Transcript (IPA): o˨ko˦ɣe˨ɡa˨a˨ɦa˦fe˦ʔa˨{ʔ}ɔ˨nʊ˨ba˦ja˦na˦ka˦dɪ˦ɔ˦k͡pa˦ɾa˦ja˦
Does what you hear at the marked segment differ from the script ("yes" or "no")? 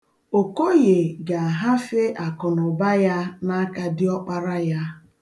yes